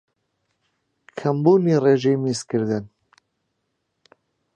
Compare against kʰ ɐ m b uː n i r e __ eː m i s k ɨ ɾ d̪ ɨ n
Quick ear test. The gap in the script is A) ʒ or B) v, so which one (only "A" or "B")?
A